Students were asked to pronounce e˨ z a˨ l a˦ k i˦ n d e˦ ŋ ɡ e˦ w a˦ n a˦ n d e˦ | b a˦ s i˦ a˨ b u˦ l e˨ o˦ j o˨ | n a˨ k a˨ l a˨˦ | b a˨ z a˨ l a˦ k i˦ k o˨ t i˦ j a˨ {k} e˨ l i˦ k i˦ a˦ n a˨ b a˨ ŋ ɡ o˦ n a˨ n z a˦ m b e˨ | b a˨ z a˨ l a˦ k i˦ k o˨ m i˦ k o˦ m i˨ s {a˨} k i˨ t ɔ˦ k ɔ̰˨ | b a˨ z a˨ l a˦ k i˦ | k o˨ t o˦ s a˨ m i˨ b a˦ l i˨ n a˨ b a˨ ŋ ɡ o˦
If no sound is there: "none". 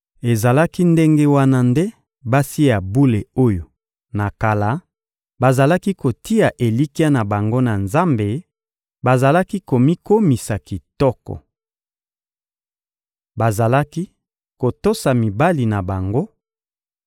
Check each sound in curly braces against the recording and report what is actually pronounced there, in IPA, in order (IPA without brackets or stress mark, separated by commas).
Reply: ʔ, a˨